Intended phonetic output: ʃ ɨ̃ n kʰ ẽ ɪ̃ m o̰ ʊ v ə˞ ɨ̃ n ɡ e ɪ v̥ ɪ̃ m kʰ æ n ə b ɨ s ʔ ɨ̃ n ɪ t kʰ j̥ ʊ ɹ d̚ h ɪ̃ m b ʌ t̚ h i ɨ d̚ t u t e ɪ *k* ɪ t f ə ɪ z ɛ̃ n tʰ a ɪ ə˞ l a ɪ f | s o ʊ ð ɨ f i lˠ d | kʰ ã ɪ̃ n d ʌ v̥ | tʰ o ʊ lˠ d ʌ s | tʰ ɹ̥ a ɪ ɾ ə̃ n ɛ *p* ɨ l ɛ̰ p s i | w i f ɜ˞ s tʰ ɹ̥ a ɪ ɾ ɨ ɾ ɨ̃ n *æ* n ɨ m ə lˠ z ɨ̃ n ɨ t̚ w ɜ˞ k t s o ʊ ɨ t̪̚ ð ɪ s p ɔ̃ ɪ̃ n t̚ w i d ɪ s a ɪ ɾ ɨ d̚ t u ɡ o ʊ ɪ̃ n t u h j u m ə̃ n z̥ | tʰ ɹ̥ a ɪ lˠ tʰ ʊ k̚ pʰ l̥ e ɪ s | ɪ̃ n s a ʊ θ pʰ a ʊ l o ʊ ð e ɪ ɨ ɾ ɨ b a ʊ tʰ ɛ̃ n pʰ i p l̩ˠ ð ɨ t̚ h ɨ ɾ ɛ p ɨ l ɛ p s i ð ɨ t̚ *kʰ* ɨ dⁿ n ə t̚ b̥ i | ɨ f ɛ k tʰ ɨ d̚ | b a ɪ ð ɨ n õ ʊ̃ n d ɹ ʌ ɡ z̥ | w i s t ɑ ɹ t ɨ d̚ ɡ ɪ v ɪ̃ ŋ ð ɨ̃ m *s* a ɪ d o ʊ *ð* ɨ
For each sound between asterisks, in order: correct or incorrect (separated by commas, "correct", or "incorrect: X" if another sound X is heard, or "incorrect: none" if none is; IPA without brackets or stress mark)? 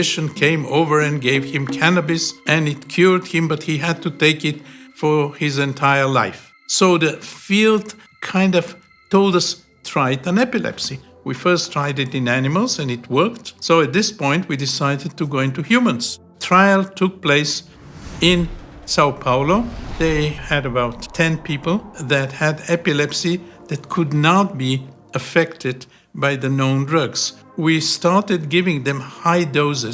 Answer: correct, correct, correct, correct, incorrect: h, incorrect: z